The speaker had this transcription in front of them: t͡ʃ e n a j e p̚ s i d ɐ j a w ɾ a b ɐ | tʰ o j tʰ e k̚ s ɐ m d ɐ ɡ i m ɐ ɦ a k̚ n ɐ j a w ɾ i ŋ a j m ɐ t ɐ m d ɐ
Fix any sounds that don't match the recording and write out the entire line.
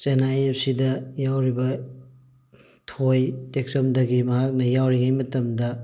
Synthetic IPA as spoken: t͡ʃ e n a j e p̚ s i d ɐ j a w ɾ i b ɐ | tʰ o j t e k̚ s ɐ m d ɐ ɡ i m ɐ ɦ a k̚ n ɐ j a w ɾ i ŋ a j m ɐ t ɐ m d ɐ